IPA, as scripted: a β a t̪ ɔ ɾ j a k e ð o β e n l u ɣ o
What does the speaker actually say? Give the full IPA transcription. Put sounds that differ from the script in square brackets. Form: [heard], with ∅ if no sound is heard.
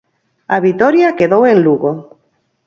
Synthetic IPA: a β [i] t̪ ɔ ɾ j a k e ð o [w] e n l u ɣ o